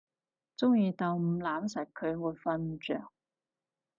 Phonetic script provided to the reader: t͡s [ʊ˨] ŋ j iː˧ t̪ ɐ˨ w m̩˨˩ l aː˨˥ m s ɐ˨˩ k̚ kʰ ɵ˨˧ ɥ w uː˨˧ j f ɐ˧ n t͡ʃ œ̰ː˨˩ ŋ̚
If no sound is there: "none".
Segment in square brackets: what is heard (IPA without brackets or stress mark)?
ʊ˥